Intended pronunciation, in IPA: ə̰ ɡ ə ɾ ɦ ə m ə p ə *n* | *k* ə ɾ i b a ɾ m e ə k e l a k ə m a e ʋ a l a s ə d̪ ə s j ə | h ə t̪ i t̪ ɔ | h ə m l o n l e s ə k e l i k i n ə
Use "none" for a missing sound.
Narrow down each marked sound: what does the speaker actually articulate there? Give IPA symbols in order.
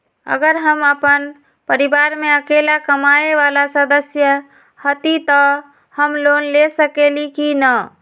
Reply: n, p

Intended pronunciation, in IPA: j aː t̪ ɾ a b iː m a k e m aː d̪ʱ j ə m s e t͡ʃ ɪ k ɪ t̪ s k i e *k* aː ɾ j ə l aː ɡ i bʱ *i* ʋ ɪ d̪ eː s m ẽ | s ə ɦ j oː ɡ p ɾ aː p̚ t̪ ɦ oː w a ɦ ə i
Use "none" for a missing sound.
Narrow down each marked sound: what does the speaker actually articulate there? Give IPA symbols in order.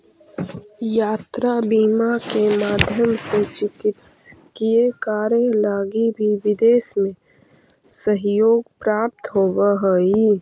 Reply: k, i

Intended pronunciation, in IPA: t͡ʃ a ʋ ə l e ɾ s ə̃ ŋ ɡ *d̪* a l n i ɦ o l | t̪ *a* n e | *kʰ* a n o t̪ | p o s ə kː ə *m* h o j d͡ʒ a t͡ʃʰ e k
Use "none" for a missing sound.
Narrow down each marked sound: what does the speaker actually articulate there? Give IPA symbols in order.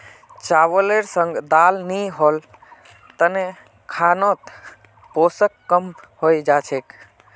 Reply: d̪, ə, kʰ, m

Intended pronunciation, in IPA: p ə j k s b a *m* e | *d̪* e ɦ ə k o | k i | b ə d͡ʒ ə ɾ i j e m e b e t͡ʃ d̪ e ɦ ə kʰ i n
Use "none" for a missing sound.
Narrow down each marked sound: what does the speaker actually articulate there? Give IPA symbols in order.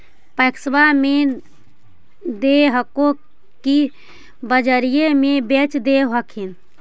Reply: m, d̪

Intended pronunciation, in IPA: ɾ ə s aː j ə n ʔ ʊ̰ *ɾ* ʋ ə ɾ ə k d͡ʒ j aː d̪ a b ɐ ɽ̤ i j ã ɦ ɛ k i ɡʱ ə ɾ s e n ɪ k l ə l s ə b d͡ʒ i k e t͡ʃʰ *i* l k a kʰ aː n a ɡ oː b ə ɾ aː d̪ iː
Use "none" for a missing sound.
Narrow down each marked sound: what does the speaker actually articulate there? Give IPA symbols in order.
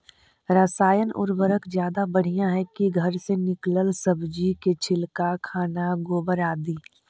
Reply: ɾ, ɪ

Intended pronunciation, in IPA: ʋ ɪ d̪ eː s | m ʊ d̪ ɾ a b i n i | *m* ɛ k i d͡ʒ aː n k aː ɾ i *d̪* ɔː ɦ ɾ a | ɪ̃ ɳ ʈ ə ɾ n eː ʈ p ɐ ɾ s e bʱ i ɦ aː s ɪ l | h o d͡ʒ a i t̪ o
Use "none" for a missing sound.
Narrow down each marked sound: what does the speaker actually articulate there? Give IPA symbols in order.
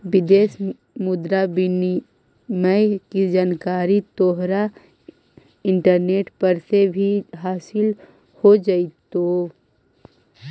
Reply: m, t̪

